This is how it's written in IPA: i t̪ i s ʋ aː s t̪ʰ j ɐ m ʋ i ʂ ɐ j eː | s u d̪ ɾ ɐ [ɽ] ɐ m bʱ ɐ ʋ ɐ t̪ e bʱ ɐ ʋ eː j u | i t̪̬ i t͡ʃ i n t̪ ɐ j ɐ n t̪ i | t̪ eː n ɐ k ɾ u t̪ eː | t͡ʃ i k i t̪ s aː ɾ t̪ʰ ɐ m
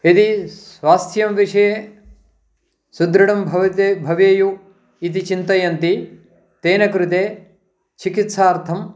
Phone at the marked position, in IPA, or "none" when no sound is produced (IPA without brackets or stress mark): ɽ